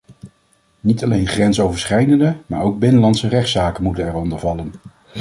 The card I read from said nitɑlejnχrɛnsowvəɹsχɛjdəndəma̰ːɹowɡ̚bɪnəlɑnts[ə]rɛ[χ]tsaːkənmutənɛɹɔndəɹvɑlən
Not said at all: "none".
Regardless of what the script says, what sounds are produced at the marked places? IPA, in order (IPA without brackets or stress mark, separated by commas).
ə, χ